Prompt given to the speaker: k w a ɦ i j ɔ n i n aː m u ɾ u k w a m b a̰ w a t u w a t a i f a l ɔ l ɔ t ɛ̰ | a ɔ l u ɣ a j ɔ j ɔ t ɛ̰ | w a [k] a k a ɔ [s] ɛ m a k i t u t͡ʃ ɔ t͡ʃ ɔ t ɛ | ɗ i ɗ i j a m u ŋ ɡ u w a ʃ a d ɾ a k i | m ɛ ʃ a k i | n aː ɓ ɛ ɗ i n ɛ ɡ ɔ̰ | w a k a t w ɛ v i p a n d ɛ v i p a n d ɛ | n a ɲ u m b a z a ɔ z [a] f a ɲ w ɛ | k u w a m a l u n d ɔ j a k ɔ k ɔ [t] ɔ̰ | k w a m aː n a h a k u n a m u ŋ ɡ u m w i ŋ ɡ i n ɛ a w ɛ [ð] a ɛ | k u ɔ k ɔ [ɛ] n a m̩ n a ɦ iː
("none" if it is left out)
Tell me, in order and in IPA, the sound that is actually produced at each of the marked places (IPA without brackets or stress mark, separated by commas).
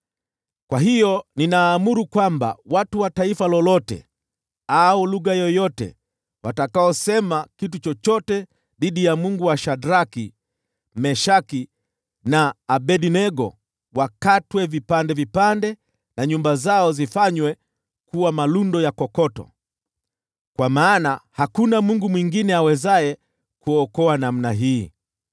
t, s, i, t, z, a